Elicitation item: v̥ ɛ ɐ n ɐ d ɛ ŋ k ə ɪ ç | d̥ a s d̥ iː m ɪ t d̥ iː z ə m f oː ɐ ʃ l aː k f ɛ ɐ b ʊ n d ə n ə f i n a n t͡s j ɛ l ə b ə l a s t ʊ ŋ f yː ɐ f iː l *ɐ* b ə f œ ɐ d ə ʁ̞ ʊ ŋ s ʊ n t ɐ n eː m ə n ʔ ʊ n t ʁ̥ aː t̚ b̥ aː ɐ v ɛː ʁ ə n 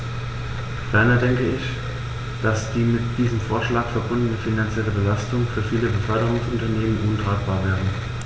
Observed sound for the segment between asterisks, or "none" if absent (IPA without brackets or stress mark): ə